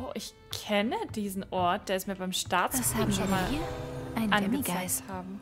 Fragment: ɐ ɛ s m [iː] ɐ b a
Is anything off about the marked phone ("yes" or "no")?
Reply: no